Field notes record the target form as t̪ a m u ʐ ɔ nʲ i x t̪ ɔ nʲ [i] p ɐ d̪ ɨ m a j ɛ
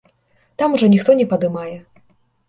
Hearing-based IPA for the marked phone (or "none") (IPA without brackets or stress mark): ɛ